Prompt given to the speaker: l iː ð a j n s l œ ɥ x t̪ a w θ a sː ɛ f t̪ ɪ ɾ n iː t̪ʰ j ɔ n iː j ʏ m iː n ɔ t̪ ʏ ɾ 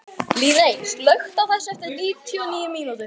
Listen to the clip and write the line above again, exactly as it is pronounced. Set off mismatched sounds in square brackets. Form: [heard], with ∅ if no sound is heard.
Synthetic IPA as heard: l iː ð [e] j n s l œ ɥ x t̪ a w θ [ɛ] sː ɛ f t̪ ɪ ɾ n iː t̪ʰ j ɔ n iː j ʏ m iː n [u] t̪ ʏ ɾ